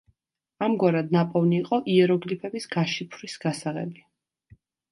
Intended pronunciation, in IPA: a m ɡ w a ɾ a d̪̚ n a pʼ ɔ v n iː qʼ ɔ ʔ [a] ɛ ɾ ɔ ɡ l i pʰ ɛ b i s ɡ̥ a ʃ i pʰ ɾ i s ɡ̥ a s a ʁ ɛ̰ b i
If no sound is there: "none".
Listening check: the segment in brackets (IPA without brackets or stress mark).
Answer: i